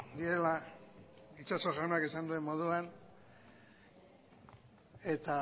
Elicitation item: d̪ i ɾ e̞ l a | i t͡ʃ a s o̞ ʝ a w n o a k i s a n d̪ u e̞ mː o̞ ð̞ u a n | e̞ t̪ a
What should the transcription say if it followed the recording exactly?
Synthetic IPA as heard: d̪ i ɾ e̞ l a | i t͡ʃ a s o̞ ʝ a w n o a k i s a n d̪ u e̞ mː o̞ ð̞ u a n | e̞ t̪ a